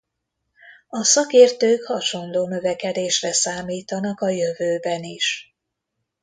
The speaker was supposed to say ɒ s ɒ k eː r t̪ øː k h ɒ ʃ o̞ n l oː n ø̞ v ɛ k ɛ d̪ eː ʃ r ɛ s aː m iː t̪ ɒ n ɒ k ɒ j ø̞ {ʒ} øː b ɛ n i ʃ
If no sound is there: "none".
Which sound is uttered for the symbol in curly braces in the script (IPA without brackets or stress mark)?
v